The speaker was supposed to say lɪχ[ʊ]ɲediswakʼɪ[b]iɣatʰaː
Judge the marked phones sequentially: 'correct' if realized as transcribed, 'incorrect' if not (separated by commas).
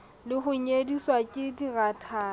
correct, incorrect